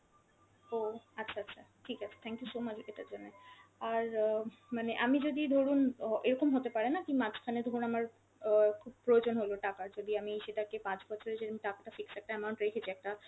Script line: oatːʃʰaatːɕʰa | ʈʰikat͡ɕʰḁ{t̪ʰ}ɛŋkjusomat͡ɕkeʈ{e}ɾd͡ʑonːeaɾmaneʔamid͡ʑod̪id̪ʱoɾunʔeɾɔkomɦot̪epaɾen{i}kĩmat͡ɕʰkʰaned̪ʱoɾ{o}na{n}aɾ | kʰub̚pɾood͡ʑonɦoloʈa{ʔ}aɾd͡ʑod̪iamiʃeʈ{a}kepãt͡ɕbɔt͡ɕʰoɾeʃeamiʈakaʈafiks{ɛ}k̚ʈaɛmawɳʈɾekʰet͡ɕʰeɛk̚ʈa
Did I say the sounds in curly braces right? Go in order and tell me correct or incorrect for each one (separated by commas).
correct, incorrect, incorrect, incorrect, incorrect, incorrect, correct, correct